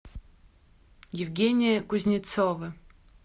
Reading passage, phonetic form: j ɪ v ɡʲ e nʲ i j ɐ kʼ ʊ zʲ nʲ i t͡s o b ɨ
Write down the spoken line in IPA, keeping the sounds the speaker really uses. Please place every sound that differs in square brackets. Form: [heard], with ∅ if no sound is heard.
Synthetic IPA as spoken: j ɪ v ɡʲ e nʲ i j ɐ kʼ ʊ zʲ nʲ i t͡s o [v] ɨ

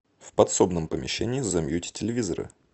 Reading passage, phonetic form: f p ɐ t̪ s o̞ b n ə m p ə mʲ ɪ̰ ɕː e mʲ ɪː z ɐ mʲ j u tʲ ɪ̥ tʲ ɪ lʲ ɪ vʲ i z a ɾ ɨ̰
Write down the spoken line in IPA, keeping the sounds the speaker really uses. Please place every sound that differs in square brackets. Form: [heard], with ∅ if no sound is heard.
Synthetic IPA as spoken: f p ɐ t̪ s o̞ b n ə m p ə mʲ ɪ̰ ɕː e [nʲ] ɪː z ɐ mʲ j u tʲ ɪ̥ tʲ ɪ lʲ ɪ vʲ i z [ə] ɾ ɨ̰

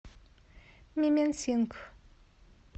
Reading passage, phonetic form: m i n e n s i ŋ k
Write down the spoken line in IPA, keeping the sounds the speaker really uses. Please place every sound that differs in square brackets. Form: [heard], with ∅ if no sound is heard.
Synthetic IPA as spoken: m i [m] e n s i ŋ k

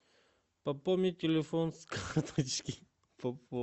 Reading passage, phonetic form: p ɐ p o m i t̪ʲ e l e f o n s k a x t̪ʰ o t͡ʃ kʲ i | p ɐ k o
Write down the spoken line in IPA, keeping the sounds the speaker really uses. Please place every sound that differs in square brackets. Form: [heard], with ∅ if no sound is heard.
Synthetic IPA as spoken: p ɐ p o m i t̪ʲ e l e f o n s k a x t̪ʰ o t͡ʃ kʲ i | p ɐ [p] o

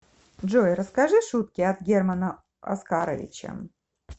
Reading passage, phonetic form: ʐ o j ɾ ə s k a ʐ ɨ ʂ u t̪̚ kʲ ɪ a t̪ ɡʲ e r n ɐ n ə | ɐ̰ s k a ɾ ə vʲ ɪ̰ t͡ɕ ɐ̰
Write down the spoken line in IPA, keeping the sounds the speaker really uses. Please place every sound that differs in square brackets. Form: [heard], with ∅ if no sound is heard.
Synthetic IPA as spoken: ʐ o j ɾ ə s k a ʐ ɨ ʂ u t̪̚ kʲ ɪ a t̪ ɡʲ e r [m] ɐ n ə | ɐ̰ s k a ɾ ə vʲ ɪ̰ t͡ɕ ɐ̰

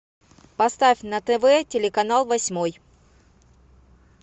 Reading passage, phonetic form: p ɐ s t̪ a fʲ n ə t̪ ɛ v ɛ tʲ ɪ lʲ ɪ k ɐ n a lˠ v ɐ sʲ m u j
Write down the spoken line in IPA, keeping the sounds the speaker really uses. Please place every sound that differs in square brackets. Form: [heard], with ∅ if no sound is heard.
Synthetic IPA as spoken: p ɐ s t̪ a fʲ n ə t̪ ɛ v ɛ tʲ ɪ lʲ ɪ k ɐ n a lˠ v ɐ sʲ m [o] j

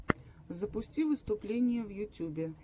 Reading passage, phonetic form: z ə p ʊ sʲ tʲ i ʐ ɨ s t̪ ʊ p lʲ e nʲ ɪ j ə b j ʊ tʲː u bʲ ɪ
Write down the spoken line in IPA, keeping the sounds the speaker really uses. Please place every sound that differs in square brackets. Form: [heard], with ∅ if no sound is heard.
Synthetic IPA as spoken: z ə p ʊ sʲ tʲ i [v] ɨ s t̪ ʊ p lʲ e nʲ ɪ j ə [v] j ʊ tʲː u bʲ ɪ

